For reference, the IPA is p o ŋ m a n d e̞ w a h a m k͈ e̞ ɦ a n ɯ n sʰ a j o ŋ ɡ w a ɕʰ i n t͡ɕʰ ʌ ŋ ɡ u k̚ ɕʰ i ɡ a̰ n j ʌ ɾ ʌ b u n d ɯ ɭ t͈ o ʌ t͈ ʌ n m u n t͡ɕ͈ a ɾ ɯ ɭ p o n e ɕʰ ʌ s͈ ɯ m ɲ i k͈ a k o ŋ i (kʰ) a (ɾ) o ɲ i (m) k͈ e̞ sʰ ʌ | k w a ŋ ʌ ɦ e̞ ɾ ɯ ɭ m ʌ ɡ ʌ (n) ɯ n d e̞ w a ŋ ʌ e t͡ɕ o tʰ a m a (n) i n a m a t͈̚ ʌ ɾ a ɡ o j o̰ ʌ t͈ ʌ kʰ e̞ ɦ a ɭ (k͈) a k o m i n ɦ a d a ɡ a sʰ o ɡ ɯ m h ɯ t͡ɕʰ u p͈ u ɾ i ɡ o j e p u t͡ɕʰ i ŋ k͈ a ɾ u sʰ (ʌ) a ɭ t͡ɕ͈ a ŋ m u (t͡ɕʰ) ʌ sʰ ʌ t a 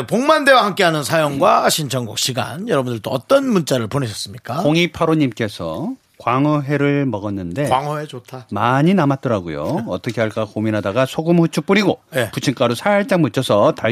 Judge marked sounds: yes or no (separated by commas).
no, yes, yes, no, no, yes, no, yes